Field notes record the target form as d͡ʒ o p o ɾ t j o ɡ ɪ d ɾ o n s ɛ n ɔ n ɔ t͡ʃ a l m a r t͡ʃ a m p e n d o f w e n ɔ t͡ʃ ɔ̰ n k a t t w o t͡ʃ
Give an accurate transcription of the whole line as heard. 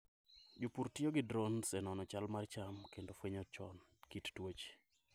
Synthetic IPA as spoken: d͡ʒ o p u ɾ t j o ɡ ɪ d ɾ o n s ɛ n ɔ n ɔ t͡ʃ a l m a r t͡ʃ a m k e n d o f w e ɲ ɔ t͡ʃ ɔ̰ n k i t t w o t͡ʃ

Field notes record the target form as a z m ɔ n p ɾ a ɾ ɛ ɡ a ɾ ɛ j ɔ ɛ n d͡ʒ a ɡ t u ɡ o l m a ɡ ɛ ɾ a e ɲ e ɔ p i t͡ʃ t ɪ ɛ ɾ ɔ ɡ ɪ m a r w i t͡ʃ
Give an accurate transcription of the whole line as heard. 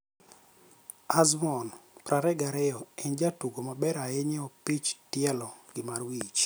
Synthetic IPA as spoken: a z m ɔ n p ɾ a ɾ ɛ ɡ a ɾ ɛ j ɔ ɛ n d͡ʒ a t u ɡ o m a b ɛ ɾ a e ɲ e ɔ p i t͡ʃ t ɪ ɛ l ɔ ɡ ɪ m a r w i t͡ʃ

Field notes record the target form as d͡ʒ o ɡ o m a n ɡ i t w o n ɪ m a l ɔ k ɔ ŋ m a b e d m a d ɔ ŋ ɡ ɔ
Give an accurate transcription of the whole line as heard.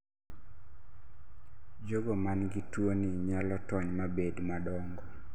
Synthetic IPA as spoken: d͡ʒ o ɡ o m a n ɡ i t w o n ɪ ɲ a l ɔ t ɔ ɲ m a b e d m a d ɔ ŋ ɡ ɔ

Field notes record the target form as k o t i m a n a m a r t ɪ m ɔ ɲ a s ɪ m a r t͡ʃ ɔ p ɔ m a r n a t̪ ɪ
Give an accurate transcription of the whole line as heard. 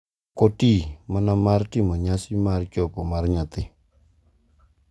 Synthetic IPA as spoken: k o t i m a n a m a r t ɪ m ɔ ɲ a s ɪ m a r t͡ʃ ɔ p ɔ m a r ɲ a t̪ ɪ

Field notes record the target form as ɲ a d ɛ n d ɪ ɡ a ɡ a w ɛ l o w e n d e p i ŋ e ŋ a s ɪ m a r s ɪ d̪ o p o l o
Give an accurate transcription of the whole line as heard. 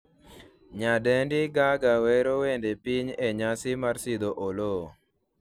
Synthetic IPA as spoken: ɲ a d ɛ n d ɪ ɡ a ɡ a w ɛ ɾ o w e n d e p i ɲ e ɲ a s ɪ m a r s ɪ d̪ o ʔ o l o

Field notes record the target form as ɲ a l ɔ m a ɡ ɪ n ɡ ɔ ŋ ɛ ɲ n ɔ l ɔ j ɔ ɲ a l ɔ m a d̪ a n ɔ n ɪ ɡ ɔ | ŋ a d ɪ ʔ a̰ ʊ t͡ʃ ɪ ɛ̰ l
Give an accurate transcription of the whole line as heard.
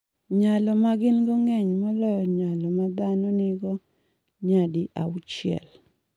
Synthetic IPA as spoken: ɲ a l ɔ m a ɡ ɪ n ɡ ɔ ŋ ɛ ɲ m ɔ l ɔ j ɔ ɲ a l ɔ m a d̪ a n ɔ n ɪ ɡ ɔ | ɲ a d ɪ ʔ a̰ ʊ t͡ʃ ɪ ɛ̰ l

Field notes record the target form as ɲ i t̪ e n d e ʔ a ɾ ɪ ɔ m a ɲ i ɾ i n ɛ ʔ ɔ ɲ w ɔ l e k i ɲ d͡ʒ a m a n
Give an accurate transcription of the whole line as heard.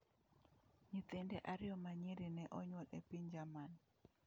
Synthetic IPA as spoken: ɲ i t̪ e n d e ʔ a ɾ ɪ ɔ m a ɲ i ɾ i n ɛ ʔ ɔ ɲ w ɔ l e p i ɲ d͡ʒ a m a n

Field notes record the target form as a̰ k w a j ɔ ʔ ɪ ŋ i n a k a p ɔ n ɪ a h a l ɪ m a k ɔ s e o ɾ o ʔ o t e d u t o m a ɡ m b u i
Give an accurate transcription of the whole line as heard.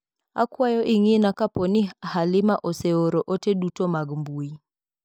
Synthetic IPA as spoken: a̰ k w a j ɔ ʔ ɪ ŋ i n a k a p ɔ n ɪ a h a l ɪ m a ʔ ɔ s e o ɾ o ʔ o t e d u t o m a ɡ m b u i

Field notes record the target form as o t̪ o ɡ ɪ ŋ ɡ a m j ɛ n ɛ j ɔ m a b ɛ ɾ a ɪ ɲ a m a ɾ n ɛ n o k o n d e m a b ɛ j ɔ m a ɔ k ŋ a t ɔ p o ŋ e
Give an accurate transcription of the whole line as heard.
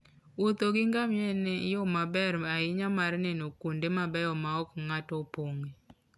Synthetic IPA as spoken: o t̪ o ɡ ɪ ŋ ɡ a m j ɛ n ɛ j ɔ m a b ɛ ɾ a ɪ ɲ a m a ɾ n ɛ n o k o n d e m a b ɛ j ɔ m a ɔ k ŋ a t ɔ p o ŋ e

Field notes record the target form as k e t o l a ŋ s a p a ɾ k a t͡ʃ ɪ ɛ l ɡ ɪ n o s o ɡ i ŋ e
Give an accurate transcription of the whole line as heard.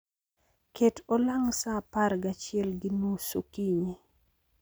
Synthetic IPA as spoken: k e t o l a ŋ s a p a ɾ ɡ a t͡ʃ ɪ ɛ l ɡ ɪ n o s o k i ɲ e

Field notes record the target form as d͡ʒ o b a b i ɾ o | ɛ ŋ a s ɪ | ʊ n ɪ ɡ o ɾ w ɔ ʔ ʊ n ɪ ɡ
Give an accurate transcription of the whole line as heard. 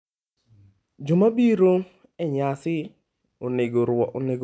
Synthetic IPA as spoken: d͡ʒ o m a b i ɾ o | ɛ ɲ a s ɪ | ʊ n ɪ ɡ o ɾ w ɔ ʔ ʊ n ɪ ɡ

